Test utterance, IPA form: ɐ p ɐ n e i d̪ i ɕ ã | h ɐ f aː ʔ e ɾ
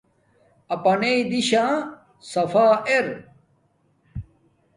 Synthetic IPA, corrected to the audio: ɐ p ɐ n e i d̪ i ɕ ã | s ɐ f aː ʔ e ɾ